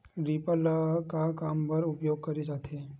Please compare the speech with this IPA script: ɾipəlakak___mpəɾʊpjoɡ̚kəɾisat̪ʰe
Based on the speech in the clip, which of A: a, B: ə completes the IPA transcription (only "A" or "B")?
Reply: A